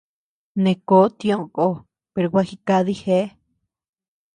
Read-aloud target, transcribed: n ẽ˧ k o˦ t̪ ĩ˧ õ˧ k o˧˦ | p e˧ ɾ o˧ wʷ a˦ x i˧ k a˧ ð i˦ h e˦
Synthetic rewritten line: n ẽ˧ k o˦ t̪ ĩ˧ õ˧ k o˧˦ | p e˧ ɾ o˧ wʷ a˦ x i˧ k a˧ ð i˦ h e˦